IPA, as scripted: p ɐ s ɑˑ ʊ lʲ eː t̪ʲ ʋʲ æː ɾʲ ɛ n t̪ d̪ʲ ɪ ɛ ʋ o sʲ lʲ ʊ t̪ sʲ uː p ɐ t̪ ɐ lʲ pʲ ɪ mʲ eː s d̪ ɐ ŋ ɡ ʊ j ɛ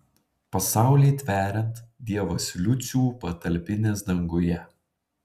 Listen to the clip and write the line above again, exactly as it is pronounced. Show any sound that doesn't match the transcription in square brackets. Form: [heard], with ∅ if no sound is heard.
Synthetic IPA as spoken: p ɐ s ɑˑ ʊ lʲ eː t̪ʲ ʋʲ æː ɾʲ ɛ n t̪ d̪ʲ [i] ɛ ʋ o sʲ lʲ ʊ t̪ sʲ uː p ɐ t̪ ɐ lʲ pʲ ɪ [nʲ] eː s d̪ ɐ ŋ ɡ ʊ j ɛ

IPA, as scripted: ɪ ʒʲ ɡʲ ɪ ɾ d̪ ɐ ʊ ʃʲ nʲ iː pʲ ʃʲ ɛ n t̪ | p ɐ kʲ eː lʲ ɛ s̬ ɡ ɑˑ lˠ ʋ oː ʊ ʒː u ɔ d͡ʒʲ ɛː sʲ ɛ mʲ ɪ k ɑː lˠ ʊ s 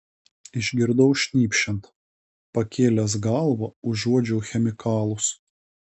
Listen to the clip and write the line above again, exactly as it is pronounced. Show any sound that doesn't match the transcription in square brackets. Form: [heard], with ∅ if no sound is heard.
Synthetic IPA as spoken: ɪ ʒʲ ɡʲ ɪ ɾ d̪ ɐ ʊ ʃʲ nʲ iː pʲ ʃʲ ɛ n t̪ | p ɐ kʲ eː lʲ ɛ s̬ ɡ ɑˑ lˠ ʋ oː ʊ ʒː u ɔ d͡ʒʲ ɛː [xʲ] ɛ mʲ ɪ k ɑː lˠ ʊ s

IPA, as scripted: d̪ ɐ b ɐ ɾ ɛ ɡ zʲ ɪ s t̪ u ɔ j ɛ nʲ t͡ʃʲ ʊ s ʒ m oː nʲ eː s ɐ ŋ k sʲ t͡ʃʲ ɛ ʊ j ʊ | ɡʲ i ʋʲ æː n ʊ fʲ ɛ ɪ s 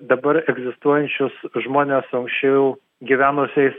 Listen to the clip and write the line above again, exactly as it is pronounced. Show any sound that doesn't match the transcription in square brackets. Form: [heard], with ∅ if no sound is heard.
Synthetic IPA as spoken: d̪ ɐ b ɐ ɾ ɛ ɡ zʲ ɪ s t̪ u ɔ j ɛ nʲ t͡ʃʲ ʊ s ʒ m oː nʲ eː s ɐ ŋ k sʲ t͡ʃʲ ɛ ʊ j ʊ | ɡʲ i ʋʲ æː n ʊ [sʲ] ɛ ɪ s

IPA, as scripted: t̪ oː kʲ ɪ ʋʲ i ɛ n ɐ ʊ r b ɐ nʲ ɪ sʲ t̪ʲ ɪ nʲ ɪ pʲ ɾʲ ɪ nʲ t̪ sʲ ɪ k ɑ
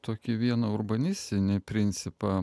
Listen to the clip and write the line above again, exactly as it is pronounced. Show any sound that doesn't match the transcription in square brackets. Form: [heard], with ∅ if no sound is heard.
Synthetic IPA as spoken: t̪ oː kʲ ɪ ʋʲ i ɛ n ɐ ʊ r b ɐ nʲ ɪ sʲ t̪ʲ ɪ nʲ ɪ pʲ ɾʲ ɪ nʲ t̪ sʲ ɪ [p] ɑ

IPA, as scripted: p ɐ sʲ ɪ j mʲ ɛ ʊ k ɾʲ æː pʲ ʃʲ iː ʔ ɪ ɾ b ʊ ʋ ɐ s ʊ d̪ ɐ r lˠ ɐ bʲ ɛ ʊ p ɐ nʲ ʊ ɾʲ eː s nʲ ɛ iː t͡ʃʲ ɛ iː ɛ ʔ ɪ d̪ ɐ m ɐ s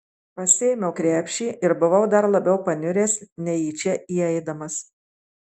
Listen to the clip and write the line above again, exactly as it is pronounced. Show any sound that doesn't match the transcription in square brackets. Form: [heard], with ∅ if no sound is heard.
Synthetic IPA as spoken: p ɐ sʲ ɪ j mʲ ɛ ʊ k ɾʲ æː pʲ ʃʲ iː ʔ ɪ ɾ b ʊ ʋ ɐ [∅] ʊ d̪ ɐ [ɾ] lˠ ɐ bʲ ɛ ʊ p ɐ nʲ ʊ ɾʲ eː s nʲ ɛ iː t͡ʃʲ ɛ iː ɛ [∅] ɪ d̪ ɐ m ɐ s

